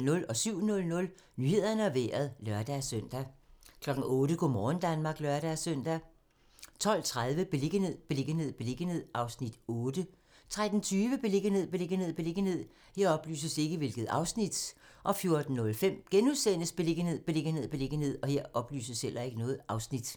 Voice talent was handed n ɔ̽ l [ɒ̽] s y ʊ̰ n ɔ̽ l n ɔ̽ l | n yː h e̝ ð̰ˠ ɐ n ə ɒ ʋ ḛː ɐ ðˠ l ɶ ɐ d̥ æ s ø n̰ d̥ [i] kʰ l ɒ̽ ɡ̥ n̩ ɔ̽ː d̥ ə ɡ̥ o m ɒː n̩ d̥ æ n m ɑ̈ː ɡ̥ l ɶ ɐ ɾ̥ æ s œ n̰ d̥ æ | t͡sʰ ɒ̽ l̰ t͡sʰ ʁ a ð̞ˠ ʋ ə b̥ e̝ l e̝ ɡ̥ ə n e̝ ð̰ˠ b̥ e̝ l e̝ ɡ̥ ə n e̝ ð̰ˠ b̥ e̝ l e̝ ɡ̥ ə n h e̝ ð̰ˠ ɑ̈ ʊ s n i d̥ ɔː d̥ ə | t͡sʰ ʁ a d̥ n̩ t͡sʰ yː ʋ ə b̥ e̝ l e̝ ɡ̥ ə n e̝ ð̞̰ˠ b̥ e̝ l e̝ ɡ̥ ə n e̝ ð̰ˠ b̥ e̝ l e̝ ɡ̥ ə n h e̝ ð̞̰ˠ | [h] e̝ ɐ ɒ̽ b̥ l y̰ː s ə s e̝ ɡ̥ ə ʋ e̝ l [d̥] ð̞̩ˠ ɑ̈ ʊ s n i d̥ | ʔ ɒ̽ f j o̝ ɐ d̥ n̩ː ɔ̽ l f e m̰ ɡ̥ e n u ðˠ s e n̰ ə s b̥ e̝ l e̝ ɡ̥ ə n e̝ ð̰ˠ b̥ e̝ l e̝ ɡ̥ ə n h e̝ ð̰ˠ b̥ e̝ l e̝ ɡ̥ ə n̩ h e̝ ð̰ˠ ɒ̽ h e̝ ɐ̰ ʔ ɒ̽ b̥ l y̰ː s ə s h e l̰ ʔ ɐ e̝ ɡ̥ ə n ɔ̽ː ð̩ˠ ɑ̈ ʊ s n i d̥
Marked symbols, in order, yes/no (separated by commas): yes, no, yes, no